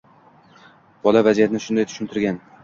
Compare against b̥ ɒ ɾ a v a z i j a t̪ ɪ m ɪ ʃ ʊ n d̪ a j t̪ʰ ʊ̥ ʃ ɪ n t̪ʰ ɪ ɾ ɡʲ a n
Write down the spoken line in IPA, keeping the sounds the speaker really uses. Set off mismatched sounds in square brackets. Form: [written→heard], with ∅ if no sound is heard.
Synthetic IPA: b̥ ɒ [ɾ→l] a v a z i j a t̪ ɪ [m→n] ɪ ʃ ʊ n d̪ a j t̪ʰ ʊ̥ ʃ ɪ n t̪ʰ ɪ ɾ ɡʲ a n